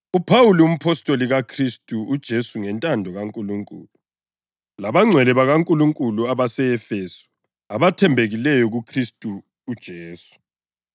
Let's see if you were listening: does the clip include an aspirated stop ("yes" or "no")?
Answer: yes